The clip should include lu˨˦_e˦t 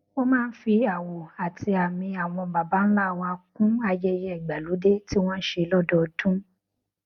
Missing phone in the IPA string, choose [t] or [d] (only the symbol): d